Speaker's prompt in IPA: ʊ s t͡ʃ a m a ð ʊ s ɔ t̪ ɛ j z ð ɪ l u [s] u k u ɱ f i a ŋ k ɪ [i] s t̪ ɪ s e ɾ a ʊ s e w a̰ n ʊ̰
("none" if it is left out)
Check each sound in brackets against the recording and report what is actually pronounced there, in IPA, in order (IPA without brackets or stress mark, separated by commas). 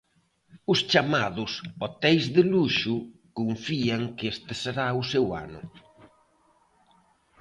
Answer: ʃ, e